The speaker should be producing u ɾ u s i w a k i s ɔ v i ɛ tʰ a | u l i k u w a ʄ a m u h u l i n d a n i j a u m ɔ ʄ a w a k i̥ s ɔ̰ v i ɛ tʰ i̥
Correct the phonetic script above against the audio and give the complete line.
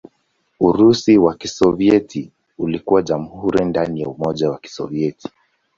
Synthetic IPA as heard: u ɾ u s i w a k i s ɔ v i ɛ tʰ i | u l i k u w a ʄ a m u h u ɾ i n d a n i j a u m ɔ ʄ a w a k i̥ s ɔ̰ v i ɛ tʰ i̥